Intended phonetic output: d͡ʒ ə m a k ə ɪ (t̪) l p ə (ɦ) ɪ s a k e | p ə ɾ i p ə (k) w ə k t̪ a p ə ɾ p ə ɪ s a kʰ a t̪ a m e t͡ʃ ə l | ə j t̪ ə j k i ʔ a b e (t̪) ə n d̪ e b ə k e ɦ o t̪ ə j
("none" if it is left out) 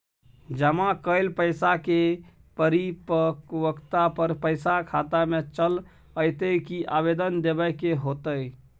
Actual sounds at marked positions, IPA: none, none, k, d̪

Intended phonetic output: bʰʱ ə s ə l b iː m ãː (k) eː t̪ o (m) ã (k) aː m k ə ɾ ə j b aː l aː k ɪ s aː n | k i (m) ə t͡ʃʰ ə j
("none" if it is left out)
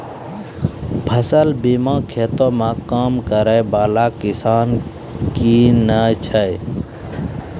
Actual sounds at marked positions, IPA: kʰ, m, k, n

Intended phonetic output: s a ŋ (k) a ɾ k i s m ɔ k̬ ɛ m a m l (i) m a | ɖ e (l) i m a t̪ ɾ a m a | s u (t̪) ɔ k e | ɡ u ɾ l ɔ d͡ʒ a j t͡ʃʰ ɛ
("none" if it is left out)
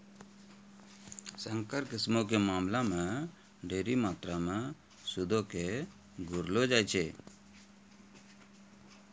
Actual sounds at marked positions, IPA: k, a, ɾ, d̪

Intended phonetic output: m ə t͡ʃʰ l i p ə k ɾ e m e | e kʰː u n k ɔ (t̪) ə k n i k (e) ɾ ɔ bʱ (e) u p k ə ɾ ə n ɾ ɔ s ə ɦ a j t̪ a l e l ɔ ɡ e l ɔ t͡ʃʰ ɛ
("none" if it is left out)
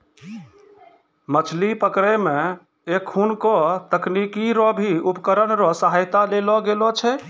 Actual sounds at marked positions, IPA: t̪, i, i

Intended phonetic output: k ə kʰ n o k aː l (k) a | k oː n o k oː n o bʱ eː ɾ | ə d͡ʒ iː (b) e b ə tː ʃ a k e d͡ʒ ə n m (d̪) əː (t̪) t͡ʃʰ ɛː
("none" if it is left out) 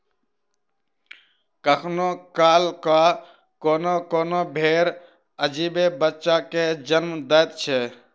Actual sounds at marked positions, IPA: k, b, d̪, t̪

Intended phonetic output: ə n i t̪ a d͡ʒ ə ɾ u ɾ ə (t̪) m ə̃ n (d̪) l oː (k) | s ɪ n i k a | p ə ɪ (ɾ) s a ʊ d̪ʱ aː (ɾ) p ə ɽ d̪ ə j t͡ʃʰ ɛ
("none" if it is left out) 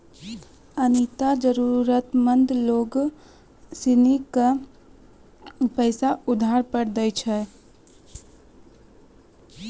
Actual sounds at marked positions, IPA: t̪, d̪, ɡ, none, ɾ

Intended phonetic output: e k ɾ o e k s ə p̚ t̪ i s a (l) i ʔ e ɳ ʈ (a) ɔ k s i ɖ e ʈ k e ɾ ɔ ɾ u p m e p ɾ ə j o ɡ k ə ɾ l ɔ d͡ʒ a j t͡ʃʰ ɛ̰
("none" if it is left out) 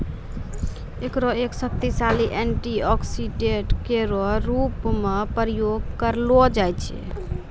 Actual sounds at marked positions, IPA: l, i

